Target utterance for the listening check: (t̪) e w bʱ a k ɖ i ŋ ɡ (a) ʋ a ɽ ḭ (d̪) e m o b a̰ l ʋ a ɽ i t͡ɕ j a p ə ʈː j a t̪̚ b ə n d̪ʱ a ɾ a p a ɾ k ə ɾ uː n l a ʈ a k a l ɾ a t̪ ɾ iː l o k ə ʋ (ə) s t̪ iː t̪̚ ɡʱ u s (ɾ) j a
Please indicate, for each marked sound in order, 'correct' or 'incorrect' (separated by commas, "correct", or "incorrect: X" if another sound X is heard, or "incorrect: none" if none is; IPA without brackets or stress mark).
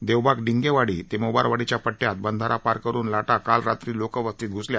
incorrect: d̪, incorrect: e, incorrect: t̪, correct, incorrect: l